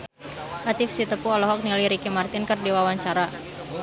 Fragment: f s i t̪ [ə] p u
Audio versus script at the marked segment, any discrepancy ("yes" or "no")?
no